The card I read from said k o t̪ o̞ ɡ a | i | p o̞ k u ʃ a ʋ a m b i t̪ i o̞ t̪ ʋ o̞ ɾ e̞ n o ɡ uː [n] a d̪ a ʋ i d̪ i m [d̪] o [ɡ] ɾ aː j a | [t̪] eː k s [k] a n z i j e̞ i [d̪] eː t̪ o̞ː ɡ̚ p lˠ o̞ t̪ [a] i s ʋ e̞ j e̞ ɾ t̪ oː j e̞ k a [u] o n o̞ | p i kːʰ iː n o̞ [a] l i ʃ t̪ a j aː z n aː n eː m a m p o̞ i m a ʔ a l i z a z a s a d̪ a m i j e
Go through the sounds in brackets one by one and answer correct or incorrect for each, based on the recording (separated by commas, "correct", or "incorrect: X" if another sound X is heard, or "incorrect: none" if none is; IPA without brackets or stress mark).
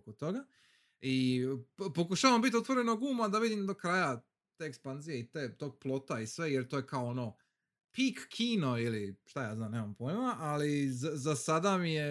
incorrect: m, correct, incorrect: k, correct, incorrect: p, incorrect: t̪, correct, incorrect: o, incorrect: i